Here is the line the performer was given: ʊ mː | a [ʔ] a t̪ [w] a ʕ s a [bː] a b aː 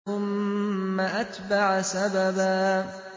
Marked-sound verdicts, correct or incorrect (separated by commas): correct, incorrect, incorrect